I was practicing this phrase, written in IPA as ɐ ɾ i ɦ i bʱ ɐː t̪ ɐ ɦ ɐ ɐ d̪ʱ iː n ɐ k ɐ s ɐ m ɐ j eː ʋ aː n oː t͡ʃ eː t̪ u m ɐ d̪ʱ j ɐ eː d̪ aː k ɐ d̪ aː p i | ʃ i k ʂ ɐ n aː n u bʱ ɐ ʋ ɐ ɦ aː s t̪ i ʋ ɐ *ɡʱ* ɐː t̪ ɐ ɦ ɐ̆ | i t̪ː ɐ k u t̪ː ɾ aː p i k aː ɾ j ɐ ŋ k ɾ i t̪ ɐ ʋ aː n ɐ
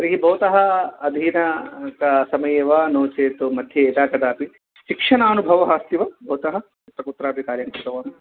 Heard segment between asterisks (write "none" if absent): bʱ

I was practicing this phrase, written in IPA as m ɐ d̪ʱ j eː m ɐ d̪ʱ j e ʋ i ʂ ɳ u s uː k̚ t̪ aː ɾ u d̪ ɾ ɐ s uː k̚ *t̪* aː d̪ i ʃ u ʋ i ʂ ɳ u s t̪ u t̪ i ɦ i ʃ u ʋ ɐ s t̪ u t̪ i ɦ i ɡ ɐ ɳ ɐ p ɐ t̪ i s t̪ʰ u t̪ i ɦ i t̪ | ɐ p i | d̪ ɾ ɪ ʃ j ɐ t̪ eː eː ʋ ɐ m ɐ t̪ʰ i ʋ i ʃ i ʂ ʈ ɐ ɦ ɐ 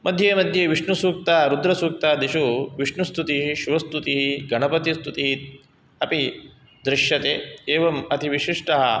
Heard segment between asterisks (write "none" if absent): t̪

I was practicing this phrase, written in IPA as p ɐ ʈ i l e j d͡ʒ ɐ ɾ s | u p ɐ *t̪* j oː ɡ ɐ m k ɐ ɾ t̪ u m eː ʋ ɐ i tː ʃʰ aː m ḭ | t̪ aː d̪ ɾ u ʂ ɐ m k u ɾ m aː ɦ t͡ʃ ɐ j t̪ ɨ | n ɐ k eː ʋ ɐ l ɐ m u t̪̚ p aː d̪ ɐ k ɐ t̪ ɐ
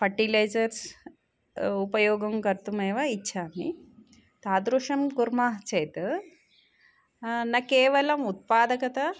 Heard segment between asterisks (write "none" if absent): none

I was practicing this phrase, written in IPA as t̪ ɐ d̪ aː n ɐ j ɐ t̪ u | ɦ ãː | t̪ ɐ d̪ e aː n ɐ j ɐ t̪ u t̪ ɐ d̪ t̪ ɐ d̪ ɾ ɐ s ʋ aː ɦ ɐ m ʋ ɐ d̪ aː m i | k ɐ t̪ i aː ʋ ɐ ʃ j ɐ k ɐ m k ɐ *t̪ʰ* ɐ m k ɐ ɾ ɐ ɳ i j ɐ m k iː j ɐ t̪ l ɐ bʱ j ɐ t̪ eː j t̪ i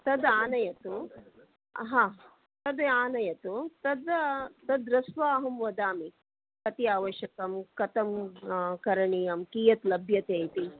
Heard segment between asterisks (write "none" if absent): t̪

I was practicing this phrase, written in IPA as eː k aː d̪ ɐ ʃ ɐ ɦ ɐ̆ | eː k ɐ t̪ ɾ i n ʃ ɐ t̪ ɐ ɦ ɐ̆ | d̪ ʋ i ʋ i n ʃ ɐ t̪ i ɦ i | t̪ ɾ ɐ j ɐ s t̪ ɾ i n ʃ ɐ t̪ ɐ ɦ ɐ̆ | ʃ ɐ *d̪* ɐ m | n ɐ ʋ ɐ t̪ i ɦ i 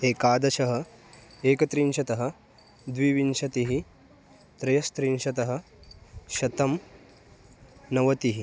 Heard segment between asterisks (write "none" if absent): t̪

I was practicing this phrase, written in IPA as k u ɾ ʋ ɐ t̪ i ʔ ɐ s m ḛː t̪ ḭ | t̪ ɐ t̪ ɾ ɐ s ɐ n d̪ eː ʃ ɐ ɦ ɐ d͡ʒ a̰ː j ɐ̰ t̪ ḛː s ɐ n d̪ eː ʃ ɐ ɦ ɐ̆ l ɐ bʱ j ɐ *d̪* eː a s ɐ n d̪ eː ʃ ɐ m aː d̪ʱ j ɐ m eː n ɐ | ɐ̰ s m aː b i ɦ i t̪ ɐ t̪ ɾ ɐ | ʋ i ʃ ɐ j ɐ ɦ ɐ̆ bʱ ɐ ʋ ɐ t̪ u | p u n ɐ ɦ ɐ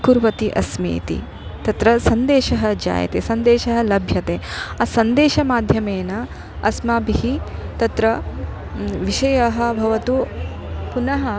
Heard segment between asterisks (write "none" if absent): t̪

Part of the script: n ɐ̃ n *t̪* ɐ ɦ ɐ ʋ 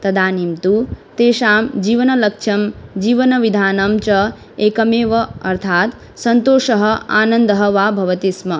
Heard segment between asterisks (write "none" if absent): d̪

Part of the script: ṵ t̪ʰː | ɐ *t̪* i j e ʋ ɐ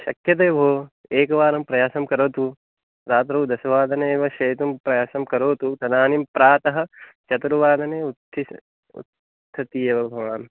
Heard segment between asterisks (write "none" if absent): t̪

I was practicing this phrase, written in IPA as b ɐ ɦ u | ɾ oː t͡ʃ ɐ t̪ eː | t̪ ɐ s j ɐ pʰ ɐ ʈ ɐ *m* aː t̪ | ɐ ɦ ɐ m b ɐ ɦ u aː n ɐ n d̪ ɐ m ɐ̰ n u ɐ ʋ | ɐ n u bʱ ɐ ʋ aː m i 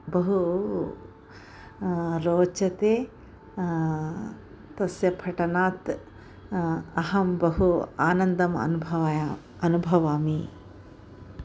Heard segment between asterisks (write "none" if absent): n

